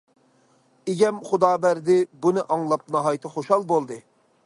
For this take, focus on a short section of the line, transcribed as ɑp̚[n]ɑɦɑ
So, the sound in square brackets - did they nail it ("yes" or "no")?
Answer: yes